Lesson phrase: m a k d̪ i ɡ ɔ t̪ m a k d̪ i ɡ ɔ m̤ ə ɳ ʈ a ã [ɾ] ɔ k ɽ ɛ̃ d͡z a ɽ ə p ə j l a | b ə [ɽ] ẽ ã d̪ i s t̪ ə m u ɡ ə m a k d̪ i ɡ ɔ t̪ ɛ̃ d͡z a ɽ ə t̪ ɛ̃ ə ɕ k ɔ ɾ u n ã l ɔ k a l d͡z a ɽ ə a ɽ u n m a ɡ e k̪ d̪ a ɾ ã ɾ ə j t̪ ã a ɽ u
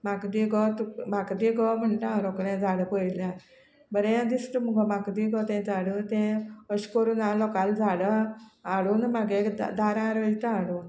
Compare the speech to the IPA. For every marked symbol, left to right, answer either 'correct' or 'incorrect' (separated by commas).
correct, incorrect